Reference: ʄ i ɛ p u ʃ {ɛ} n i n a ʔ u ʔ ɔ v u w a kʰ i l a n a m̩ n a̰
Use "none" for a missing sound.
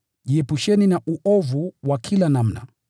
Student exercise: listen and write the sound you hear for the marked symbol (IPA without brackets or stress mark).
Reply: ɛ